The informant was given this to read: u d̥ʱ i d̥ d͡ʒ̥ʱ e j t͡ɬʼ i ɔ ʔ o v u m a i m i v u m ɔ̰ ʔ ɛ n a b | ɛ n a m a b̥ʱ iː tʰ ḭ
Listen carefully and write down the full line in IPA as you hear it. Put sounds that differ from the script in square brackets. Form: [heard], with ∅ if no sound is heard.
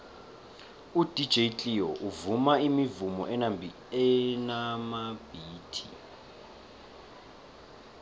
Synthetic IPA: u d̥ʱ i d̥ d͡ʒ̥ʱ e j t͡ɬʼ i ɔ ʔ [u] v u m a i m i v u m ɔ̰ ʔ ɛ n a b | ɛ n a m a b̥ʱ iː tʰ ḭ